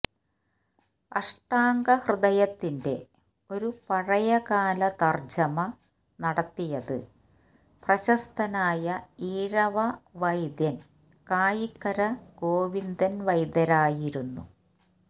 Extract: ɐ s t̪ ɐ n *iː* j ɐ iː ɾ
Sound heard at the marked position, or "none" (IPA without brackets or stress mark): aː